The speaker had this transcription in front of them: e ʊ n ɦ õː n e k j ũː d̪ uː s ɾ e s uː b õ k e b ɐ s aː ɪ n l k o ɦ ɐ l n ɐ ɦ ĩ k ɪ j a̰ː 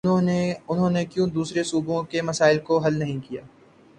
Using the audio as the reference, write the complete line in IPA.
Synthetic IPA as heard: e ʊ n ɦ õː n e k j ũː d̪ uː s ɾ e s uː b õ k e m ɐ s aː ɪ l k o ɦ ɐ l n ɐ ɦ ĩ k i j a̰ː